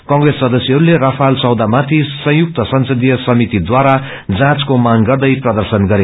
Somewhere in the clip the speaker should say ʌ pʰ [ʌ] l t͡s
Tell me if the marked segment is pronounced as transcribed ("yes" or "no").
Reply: no